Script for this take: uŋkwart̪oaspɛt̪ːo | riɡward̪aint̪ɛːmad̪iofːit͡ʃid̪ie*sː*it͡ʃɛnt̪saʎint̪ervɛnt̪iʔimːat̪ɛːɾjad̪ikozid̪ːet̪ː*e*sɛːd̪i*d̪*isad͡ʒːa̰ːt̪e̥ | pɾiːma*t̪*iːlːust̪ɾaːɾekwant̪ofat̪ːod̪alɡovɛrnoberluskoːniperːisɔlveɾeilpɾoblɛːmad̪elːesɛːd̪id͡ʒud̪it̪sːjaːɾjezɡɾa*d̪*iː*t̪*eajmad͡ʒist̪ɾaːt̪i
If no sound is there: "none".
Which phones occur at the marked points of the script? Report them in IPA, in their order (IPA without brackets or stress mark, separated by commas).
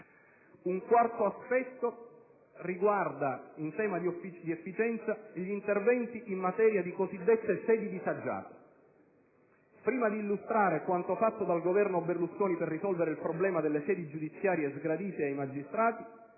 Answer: fː, e, d̪, d̪, d̪, t̪